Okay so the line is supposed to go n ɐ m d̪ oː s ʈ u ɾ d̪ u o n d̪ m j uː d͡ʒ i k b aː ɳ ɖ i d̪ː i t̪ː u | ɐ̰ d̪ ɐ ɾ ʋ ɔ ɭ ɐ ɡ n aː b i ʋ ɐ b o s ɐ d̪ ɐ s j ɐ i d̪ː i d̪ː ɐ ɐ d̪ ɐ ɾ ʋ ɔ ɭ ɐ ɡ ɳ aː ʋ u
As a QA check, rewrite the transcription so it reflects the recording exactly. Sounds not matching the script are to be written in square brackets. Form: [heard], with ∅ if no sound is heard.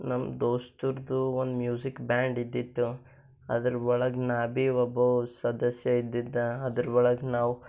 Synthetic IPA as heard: n ɐ m d̪ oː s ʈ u ɾ d̪ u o n d̪ m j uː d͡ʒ i k b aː ɳ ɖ i d̪ː i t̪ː u | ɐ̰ d̪ ɐ ɾ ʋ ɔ ɭ ɐ ɡ n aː b i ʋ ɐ b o s ɐ d̪ ɐ s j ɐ i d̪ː i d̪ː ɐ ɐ d̪ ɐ ɾ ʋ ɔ ɭ ɐ ɡ [n] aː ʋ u

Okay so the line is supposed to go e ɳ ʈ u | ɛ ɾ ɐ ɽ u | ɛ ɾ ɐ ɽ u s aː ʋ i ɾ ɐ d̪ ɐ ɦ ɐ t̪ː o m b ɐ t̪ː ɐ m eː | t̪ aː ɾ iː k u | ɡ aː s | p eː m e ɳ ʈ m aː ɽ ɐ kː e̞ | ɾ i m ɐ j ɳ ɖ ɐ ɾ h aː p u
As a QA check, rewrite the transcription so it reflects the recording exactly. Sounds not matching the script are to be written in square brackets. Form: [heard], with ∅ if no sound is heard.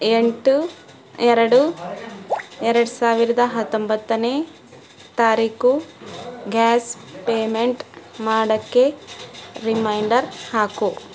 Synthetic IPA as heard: e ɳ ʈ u | ɛ ɾ ɐ ɽ u | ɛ ɾ ɐ ɽ u s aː ʋ i ɾ ɐ d̪ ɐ ɦ ɐ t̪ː o m b ɐ t̪ː ɐ [n] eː | t̪ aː ɾ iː k u | ɡ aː s | p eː m e ɳ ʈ m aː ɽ ɐ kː e̞ | ɾ i m ɐ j ɳ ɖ ɐ ɾ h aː [k] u

